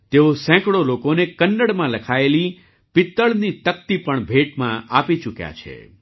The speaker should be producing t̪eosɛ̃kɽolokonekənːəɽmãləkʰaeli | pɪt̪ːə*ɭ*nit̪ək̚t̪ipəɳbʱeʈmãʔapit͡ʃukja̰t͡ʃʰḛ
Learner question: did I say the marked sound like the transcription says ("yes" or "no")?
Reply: yes